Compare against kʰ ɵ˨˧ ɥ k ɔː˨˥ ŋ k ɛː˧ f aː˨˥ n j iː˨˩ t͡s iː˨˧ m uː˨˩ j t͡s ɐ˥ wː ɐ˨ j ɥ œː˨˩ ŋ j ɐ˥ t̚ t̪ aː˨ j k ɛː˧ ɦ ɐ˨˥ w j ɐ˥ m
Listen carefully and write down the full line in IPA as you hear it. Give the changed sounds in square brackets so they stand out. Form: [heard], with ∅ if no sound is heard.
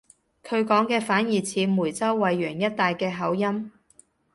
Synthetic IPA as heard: kʰ ɵ˨˧ ɥ k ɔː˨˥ ŋ k ɛː˧ f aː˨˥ n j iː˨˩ [t͡sʰ] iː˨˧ m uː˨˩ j t͡s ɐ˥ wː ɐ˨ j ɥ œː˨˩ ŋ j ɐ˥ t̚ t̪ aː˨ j k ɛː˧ ɦ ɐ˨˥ w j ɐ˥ m